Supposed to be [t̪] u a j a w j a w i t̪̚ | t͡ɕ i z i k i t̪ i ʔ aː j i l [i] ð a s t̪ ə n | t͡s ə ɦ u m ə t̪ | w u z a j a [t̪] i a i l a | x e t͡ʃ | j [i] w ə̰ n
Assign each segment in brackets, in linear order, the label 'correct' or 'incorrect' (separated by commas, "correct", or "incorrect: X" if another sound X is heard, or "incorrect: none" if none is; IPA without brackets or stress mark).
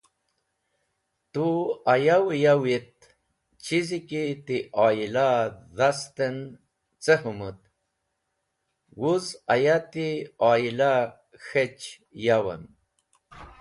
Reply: correct, incorrect: a, correct, incorrect: a